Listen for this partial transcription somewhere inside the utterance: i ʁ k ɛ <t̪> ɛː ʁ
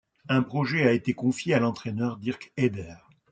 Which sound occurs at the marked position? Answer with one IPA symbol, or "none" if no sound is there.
d̪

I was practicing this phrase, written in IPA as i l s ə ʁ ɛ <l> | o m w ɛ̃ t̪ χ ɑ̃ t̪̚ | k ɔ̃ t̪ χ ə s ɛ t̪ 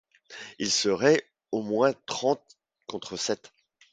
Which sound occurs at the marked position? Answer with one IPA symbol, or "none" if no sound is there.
none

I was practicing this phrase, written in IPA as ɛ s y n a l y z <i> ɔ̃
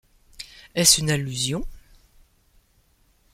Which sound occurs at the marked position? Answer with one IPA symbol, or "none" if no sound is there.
j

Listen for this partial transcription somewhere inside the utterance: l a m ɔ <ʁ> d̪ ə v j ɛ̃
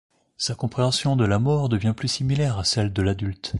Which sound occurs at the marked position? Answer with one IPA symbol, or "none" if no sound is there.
ʁ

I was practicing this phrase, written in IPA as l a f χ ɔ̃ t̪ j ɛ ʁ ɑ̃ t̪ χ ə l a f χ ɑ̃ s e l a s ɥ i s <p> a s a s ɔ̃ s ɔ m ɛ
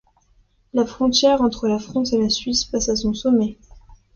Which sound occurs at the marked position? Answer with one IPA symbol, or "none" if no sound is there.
p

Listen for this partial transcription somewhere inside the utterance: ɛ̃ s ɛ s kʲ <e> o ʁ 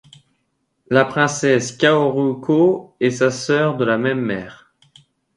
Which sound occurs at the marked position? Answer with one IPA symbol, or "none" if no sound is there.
a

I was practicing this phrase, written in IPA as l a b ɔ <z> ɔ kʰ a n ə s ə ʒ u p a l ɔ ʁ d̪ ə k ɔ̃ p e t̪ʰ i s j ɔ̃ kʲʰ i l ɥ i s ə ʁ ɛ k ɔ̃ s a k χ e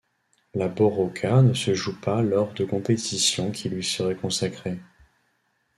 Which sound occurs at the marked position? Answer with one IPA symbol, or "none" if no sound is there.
ʁ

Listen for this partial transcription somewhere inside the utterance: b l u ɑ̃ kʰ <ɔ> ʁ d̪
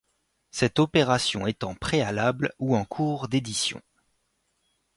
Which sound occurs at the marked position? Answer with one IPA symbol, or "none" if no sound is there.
u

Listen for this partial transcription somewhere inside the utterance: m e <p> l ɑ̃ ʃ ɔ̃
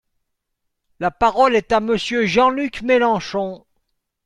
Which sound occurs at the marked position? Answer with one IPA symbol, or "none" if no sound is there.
none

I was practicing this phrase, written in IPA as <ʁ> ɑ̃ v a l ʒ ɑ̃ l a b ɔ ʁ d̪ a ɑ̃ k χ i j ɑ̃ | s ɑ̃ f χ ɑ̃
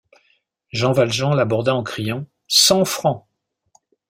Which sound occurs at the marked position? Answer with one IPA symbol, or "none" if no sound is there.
ʒ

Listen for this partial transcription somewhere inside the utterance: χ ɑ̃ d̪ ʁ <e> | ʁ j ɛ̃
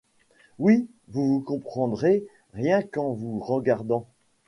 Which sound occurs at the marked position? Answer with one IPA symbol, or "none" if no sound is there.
e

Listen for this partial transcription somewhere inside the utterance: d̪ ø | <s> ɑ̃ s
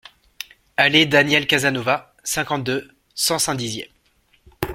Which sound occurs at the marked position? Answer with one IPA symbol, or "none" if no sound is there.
s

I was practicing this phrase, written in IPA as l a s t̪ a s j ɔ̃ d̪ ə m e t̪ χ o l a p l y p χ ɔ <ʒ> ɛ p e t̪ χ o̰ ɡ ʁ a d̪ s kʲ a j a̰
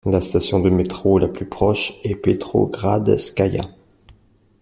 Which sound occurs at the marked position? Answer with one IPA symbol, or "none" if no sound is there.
ʃ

